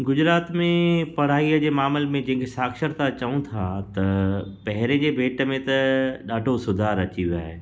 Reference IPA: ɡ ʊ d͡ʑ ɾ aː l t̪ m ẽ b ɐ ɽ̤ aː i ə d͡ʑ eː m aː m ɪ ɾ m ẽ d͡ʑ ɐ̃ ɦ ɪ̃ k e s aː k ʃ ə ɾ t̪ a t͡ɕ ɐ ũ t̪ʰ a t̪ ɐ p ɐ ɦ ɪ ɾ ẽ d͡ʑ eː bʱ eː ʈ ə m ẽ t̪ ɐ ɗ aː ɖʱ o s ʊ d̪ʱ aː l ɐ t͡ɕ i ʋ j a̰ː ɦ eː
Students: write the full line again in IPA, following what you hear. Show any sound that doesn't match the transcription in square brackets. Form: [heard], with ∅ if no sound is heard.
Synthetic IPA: ɡ ʊ d͡ʑ ɾ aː [∅] t̪ m ẽ [p] ɐ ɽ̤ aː i ə d͡ʑ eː m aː m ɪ [l] m ẽ d͡ʑ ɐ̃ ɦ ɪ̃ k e s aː k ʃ ə ɾ t̪ a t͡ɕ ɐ ũ t̪ʰ a t̪ ɐ p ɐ ɦ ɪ ɾ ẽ d͡ʑ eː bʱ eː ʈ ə m ẽ t̪ ɐ ɗ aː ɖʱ o s ʊ d̪ʱ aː [ɾ] ɐ t͡ɕ i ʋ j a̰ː ɦ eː